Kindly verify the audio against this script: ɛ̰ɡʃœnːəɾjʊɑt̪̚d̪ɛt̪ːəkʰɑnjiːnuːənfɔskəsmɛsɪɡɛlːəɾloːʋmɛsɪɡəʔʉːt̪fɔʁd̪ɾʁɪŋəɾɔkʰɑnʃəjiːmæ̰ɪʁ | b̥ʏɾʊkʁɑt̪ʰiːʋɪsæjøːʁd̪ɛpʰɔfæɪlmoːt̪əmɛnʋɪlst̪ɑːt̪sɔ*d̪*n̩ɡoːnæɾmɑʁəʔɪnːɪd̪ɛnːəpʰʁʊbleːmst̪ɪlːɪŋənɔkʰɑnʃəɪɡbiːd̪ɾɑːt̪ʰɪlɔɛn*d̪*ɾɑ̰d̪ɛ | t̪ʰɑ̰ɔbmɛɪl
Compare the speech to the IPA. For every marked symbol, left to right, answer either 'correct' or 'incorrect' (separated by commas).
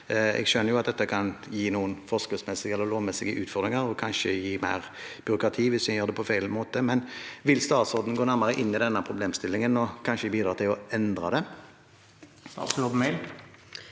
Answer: correct, correct